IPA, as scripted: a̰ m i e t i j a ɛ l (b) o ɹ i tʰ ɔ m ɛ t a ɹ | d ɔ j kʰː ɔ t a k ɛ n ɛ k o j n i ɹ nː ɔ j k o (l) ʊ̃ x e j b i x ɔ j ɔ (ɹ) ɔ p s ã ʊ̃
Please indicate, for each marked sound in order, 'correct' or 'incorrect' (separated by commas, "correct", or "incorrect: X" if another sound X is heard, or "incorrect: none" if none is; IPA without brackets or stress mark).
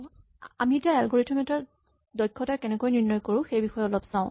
incorrect: ɡ, incorrect: ɹ, incorrect: l